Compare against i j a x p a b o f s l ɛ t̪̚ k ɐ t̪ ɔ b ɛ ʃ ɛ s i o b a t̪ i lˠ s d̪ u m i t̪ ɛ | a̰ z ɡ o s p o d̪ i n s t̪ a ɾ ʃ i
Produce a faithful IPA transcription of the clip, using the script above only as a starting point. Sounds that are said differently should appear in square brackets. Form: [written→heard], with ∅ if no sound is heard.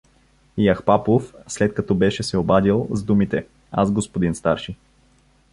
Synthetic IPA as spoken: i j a x p a [b→p] o f s l ɛ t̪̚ k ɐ t̪ ɔ b ɛ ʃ ɛ s [i→ɛ] o b a [t̪→d̪] i lˠ [s→z] d̪ u m i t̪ ɛ | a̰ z ɡ o s p o d̪ i n s t̪ a ɾ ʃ i